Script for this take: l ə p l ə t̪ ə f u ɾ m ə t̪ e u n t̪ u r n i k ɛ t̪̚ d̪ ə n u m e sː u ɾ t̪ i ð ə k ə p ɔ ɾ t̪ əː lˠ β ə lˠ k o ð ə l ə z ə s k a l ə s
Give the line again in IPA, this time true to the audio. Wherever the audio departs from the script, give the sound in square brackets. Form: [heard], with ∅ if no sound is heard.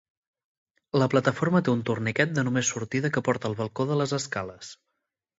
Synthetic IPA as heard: l ə p l ə t̪ ə f [o] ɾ m ə t̪ e u n t̪ u r n i k ɛ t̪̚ d̪ ə n u m e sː u ɾ t̪ i ð ə k ə p ɔ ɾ t̪ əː lˠ β ə lˠ k o ð ə l ə z ə s k a l ə s